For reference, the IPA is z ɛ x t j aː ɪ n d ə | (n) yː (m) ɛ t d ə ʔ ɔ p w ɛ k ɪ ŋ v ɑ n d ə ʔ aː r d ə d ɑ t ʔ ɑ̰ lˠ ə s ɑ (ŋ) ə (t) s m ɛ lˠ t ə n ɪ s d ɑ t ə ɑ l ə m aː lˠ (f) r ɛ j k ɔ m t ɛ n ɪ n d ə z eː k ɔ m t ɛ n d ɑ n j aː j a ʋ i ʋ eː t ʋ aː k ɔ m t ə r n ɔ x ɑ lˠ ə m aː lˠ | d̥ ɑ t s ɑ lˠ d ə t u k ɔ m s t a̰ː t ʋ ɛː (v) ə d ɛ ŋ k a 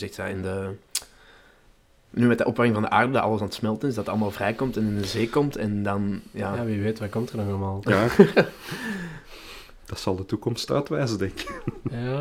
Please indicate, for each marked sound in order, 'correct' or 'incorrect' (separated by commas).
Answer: correct, correct, incorrect, correct, incorrect, incorrect